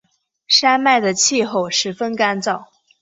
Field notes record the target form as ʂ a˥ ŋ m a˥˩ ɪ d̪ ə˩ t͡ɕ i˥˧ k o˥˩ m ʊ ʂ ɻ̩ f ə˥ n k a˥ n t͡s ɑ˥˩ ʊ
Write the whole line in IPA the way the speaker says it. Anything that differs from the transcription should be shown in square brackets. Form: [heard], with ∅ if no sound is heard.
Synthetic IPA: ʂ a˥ [n] m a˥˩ ɪ d̪ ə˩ [t͡ɕʰ] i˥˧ [x] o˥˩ [∅] ʊ ʂ ɻ̩ f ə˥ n k a˥ n t͡s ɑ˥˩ ʊ